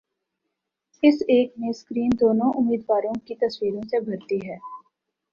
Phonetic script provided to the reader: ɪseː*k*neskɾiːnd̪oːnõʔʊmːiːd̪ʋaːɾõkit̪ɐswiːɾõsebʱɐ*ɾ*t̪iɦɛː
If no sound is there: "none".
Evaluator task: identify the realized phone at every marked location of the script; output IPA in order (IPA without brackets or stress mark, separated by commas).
k, ɾ